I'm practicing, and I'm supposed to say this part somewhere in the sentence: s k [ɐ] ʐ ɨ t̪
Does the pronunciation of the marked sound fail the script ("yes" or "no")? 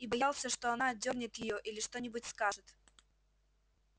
yes